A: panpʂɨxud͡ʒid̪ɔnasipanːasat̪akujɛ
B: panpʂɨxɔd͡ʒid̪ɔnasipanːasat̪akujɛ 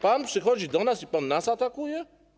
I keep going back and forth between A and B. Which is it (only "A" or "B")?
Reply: B